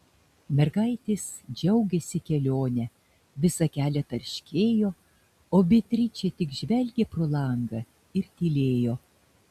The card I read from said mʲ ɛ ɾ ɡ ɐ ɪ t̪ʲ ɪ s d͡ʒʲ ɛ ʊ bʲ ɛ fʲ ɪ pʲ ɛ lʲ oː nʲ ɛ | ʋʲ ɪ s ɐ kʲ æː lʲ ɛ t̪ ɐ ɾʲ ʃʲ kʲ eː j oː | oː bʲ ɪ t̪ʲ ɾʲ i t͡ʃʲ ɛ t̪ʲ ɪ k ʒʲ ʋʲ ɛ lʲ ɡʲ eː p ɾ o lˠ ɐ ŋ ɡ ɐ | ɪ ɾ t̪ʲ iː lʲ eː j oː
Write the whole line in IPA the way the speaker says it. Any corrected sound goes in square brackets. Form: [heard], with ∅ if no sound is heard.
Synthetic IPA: mʲ ɛ ɾ ɡ ɐ ɪ t̪ʲ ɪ s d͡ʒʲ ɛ ʊ [ɡʲ] ɛ [sʲ] ɪ [kʲ] ɛ lʲ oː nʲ ɛ | ʋʲ ɪ s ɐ kʲ æː lʲ ɛ t̪ ɐ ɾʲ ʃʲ kʲ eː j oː | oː bʲ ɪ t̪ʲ ɾʲ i t͡ʃʲ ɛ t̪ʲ ɪ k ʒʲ ʋʲ ɛ lʲ ɡʲ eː p ɾ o lˠ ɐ ŋ ɡ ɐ | ɪ ɾ t̪ʲ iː lʲ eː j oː